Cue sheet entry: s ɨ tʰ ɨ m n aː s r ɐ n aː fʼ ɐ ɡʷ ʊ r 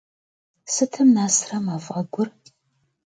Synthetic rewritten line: s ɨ tʰ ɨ m n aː s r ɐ m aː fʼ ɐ ɡʷ ʊ r